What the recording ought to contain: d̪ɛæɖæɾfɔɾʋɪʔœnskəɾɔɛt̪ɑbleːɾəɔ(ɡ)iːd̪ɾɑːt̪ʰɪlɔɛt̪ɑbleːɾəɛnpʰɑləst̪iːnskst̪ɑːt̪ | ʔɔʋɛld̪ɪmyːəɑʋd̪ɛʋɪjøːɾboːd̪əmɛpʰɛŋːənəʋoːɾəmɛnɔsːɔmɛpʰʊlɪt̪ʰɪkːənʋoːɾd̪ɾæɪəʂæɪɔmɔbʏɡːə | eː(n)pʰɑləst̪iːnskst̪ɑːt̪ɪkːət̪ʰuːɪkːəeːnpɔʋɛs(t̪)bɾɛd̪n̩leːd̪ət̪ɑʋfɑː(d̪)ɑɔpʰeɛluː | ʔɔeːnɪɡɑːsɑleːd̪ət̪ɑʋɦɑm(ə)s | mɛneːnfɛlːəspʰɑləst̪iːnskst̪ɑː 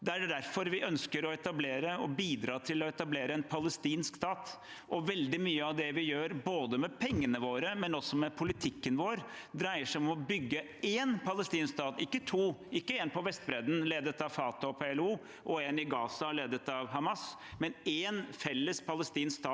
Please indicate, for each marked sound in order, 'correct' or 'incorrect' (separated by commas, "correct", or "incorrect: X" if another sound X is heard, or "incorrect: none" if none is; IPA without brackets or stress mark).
incorrect: b, correct, correct, incorrect: t̪, incorrect: ɑ